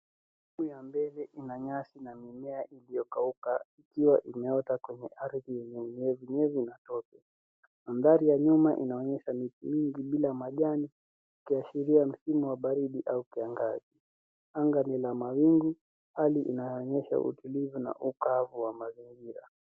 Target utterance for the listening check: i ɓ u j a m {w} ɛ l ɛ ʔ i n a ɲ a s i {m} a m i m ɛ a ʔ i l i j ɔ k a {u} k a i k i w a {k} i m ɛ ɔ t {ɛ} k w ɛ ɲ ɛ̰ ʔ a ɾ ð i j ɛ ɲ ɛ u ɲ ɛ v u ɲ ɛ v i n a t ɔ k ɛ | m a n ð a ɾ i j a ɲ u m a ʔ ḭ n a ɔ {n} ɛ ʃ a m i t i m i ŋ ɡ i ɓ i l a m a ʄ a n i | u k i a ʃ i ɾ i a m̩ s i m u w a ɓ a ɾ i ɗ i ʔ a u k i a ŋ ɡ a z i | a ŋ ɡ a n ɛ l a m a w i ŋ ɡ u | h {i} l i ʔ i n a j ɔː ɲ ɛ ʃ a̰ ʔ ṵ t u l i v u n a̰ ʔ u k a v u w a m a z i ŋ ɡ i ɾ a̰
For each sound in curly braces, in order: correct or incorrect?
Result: incorrect: b, incorrect: n, correct, incorrect: ʔ, incorrect: a, incorrect: ɲ, incorrect: a

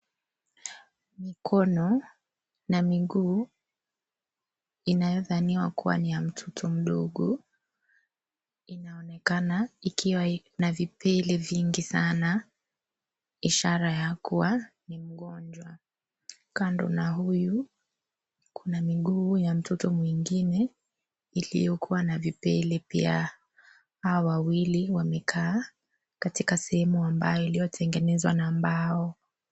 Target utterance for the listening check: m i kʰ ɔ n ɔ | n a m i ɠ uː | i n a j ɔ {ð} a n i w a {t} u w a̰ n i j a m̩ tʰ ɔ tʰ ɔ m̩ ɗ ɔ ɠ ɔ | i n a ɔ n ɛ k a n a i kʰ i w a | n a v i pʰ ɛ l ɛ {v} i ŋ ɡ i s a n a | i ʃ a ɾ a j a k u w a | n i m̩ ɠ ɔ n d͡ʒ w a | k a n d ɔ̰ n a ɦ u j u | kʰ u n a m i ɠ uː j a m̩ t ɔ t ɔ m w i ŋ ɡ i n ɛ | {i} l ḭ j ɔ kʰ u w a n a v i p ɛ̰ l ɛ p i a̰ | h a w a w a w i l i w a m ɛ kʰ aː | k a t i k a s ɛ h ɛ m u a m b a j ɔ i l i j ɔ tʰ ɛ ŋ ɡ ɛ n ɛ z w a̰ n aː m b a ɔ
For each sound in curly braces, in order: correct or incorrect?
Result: correct, incorrect: k, correct, correct

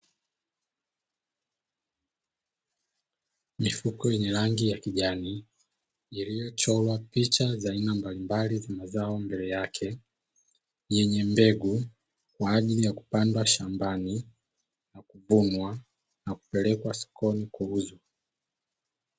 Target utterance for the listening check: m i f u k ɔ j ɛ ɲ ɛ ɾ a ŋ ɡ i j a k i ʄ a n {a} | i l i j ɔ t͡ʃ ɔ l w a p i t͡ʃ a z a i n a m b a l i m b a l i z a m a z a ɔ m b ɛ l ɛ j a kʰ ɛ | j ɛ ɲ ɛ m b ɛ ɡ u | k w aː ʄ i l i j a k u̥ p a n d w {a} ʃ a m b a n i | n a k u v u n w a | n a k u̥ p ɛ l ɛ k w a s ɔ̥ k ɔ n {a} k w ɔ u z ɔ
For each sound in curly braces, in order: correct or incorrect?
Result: incorrect: i, correct, incorrect: i

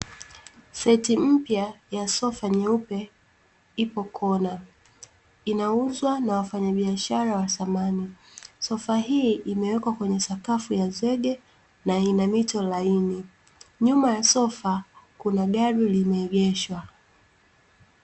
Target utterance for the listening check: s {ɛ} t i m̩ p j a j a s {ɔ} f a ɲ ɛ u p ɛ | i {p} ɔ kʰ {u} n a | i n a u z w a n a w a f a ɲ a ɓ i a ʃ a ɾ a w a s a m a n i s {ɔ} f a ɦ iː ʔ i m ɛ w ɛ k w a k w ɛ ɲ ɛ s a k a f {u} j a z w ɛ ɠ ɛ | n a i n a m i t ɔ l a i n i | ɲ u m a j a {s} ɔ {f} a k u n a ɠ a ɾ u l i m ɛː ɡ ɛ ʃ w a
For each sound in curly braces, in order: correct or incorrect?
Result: correct, correct, correct, incorrect: ɔ, correct, correct, correct, correct

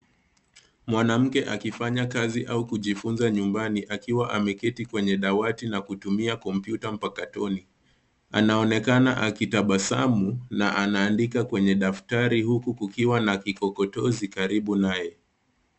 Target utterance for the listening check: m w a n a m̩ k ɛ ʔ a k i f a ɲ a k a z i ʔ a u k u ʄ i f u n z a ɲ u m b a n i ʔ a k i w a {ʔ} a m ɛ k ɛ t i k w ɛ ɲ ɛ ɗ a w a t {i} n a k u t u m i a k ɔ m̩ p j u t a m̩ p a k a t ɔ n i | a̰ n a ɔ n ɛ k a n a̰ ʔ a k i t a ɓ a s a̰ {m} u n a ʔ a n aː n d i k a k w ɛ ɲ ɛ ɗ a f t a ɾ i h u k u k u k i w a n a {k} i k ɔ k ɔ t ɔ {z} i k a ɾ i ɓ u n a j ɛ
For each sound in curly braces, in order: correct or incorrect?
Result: correct, correct, correct, correct, correct

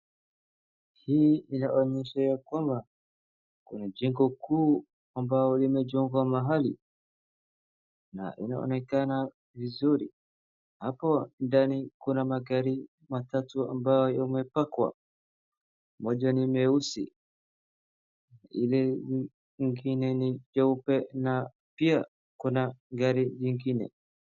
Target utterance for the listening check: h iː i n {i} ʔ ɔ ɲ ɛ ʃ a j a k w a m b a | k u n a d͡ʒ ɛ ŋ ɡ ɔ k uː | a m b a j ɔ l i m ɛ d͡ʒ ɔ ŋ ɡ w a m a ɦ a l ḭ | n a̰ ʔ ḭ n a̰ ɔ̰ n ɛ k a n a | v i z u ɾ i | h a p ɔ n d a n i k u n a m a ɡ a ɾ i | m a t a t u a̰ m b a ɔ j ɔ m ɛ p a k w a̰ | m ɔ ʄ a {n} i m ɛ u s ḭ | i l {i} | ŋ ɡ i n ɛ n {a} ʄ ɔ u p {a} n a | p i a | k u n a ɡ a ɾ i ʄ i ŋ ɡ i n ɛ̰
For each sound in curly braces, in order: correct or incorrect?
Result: incorrect: a, correct, incorrect: ɛ, incorrect: i, incorrect: ɛ

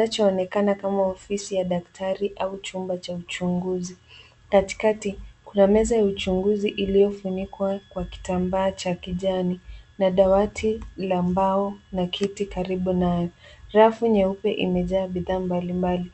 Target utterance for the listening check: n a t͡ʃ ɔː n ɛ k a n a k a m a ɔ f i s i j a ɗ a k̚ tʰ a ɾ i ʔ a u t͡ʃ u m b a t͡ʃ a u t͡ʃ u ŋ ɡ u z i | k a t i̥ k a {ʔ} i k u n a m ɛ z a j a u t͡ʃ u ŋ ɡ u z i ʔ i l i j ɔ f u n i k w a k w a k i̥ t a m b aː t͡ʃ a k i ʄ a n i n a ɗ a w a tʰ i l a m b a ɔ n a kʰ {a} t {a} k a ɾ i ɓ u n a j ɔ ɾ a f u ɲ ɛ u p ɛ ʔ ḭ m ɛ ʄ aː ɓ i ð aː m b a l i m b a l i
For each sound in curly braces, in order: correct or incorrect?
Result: incorrect: t, incorrect: i, incorrect: i

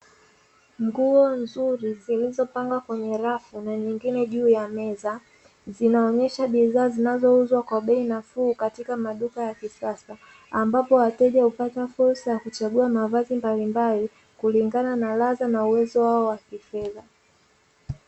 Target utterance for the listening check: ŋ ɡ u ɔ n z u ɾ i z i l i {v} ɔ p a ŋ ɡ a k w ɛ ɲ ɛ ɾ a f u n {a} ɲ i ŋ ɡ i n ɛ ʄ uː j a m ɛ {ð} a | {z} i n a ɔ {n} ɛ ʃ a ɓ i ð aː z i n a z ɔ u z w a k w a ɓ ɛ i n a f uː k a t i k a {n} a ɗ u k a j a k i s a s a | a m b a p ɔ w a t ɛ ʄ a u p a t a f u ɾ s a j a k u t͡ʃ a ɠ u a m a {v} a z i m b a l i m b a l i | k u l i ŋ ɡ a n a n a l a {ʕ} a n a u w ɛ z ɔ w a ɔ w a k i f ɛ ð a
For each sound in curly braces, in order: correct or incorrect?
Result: incorrect: z, correct, incorrect: z, correct, incorrect: ɲ, incorrect: m, correct, incorrect: z

